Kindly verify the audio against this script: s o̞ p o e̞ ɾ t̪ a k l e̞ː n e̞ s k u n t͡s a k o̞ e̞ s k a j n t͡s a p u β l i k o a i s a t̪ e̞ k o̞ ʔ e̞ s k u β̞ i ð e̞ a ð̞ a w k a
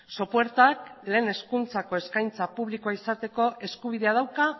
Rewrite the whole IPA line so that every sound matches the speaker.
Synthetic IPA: s o̞ p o e̞ ɾ t̪ a k l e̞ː n e̞ s k u n t͡s a k o̞ e̞ s k a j n t͡s a p u β l i k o a i s a t̪ e̞ k o̞ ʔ e̞ s k u β̞ i ð e̞ a ð̞ a w k a